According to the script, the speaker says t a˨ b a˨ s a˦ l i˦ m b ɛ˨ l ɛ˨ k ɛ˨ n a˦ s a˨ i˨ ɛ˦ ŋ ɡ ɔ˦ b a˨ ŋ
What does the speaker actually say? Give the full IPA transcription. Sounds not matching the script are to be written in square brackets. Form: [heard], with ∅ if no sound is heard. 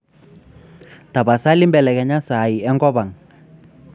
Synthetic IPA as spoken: t a˨ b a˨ s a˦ l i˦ m b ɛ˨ l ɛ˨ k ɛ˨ [ɲ] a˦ s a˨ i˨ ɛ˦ ŋ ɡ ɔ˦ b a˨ ŋ